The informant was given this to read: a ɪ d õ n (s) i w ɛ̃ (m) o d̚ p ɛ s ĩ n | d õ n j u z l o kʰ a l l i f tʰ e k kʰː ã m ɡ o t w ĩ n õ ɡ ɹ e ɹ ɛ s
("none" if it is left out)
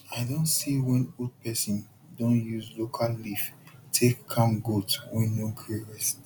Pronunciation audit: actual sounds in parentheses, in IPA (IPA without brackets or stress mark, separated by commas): s, n